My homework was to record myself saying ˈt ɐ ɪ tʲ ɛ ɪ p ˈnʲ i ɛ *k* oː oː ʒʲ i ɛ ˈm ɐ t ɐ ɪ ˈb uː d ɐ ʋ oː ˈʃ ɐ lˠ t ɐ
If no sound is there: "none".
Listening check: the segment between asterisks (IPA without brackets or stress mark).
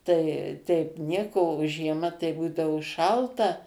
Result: k